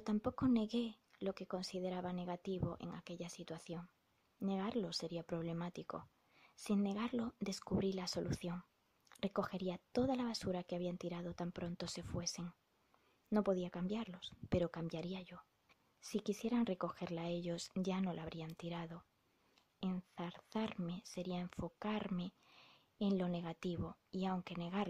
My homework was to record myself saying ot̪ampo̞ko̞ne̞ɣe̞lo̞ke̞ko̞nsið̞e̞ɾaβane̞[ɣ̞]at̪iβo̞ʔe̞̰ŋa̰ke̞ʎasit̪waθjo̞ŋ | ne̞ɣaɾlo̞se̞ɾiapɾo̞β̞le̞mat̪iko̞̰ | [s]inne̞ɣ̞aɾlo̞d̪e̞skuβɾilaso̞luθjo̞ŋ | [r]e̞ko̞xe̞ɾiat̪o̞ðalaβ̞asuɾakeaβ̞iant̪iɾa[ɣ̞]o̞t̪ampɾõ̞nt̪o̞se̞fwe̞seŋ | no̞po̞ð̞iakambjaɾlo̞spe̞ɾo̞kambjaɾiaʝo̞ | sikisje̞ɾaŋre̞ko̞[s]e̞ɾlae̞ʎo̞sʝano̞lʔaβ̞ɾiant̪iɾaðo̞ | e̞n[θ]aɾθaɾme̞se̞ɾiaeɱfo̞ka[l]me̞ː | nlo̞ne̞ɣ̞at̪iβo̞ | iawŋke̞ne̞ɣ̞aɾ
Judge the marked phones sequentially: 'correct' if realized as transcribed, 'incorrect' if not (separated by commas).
correct, correct, correct, incorrect, incorrect, correct, incorrect